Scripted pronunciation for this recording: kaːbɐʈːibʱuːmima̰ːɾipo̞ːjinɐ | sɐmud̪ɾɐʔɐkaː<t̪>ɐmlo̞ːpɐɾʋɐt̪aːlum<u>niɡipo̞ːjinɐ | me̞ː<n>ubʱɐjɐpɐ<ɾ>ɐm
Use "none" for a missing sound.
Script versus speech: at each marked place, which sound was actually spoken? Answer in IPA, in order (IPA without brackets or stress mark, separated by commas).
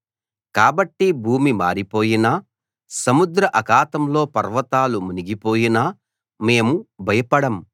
t̪, u, m, ɽ